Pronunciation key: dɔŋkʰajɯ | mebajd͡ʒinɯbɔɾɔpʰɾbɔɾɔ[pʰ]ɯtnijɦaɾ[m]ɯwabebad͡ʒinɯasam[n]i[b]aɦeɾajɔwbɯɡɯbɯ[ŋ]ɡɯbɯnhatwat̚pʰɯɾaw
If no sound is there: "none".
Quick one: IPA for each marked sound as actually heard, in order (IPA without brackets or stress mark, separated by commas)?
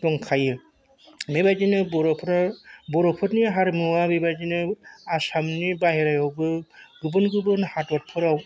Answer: pʰ, m, n, b, n